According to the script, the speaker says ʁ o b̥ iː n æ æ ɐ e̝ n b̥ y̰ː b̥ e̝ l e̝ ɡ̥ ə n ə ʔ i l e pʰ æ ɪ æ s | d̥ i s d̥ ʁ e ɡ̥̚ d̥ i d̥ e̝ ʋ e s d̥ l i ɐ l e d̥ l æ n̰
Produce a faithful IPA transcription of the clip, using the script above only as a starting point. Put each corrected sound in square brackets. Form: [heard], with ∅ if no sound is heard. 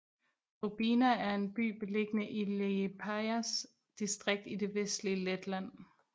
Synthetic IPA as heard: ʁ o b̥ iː n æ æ ɐ e̝ n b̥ y̰ː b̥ e̝ l e̝ ɡ̥ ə n ə ʔ i l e pʰ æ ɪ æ s | d̥ i s d̥ ʁ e ɡ̥̚ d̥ i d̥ e̝ ʋ e s d̥ l i [ə] l e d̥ l æ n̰